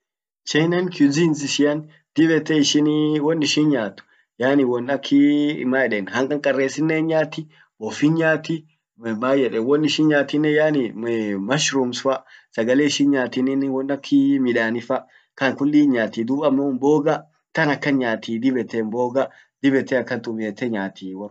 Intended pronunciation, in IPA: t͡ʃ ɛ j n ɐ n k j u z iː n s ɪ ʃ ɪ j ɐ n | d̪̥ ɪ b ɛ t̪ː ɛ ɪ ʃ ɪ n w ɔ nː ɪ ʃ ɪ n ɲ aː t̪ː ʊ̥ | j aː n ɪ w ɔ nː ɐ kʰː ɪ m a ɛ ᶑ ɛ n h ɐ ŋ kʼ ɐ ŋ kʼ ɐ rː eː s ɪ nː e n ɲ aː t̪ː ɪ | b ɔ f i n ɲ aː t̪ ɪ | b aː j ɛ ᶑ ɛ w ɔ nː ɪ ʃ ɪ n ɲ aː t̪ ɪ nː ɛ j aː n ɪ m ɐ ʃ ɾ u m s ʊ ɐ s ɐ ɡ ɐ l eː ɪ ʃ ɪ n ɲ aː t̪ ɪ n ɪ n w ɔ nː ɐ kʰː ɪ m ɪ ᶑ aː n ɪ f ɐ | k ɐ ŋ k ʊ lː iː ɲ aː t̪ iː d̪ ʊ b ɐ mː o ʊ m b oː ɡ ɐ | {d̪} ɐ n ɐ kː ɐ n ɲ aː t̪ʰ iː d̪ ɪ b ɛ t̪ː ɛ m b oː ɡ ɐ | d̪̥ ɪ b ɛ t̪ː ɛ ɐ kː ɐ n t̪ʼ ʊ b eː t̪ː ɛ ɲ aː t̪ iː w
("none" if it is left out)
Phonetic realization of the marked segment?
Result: t̪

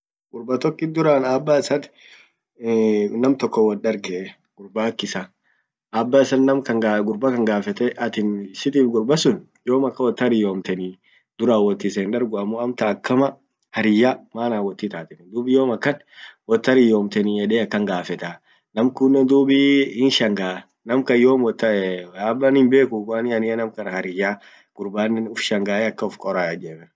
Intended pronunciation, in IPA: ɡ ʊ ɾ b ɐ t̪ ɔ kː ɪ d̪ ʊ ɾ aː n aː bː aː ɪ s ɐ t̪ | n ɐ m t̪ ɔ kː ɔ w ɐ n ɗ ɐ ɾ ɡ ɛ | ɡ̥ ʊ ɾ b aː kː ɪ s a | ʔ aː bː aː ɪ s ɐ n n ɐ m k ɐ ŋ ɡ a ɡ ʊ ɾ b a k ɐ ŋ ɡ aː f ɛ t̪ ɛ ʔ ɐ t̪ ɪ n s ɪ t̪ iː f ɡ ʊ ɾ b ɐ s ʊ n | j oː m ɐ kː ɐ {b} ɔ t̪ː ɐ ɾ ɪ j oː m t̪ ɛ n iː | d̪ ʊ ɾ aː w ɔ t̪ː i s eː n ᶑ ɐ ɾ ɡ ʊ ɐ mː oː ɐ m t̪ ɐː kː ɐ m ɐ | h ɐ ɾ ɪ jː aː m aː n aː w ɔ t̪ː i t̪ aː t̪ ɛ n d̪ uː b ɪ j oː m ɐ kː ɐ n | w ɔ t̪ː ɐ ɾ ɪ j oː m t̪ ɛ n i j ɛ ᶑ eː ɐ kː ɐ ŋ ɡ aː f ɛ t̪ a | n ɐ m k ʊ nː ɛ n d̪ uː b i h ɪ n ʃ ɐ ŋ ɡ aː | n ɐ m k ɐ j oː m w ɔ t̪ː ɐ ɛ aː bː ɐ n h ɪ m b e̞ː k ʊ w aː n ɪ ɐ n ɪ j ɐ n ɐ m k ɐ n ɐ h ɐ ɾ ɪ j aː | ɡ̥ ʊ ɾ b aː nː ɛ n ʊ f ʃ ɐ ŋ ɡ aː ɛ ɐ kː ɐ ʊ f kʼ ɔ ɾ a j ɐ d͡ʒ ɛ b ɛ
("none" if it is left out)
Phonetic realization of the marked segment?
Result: w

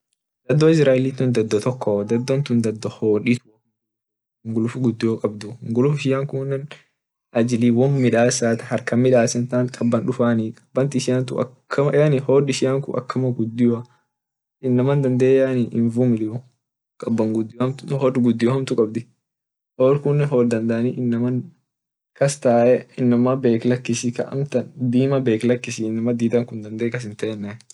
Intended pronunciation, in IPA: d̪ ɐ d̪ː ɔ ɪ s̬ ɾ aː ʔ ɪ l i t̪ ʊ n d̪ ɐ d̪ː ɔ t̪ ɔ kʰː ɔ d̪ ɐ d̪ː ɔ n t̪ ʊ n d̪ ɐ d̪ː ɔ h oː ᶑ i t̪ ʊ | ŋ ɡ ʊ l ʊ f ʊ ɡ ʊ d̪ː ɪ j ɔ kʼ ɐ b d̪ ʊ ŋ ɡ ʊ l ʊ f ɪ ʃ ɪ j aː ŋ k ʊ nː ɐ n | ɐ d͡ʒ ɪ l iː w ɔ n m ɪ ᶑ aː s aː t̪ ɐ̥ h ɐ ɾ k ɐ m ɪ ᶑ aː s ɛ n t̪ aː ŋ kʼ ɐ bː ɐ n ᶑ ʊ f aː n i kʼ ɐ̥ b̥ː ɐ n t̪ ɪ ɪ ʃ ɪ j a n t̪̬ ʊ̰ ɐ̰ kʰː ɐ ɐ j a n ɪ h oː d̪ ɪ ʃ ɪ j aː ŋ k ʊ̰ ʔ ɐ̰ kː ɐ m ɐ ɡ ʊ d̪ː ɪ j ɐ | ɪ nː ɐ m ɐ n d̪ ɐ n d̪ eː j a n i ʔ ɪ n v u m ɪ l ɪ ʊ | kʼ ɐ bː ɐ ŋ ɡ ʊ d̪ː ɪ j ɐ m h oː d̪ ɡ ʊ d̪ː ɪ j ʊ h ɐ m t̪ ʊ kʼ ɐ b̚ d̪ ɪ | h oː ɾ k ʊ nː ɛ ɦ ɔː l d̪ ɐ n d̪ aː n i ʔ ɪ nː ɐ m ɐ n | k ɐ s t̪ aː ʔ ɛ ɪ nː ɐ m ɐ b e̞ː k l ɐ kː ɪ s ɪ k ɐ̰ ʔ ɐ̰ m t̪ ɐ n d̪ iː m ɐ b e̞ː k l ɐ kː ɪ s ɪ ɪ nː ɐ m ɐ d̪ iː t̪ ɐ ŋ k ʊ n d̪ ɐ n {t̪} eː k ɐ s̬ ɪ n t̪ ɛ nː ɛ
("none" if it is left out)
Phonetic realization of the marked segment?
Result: d̪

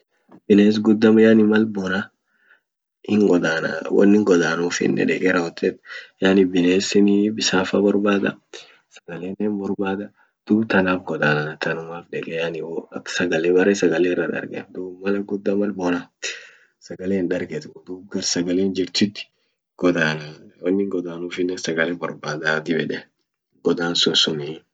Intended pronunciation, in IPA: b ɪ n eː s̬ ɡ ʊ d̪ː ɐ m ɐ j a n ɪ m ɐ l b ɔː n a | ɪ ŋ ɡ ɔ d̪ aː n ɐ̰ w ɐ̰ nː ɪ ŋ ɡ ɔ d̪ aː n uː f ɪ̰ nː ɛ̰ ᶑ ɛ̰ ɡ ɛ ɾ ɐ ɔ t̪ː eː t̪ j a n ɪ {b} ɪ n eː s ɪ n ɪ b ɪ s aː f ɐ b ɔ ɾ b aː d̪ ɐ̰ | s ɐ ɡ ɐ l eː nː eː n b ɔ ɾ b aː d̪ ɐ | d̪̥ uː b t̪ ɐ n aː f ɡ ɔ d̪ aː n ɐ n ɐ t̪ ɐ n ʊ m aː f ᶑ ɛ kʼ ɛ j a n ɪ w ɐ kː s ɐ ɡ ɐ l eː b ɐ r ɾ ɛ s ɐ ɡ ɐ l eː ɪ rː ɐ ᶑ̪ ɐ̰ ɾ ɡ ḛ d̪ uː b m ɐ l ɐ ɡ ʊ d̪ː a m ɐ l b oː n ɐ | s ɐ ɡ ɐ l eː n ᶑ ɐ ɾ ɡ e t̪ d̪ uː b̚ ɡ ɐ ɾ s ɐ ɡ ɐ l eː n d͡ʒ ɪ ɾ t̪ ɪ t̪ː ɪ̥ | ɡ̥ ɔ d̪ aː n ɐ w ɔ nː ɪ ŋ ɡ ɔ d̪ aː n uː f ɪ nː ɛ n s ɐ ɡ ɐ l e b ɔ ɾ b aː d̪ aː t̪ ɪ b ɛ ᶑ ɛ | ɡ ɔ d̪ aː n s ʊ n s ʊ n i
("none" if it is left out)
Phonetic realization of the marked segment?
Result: b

